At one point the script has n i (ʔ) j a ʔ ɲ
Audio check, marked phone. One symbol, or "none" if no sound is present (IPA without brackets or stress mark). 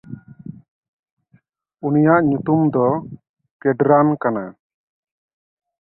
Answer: none